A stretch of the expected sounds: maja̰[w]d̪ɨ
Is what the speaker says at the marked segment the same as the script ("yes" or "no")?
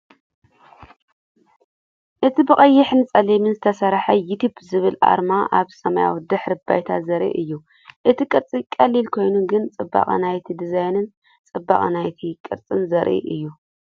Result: yes